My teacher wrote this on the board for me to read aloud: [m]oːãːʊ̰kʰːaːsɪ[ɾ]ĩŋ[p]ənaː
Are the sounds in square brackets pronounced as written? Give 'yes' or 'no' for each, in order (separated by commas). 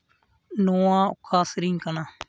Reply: no, yes, no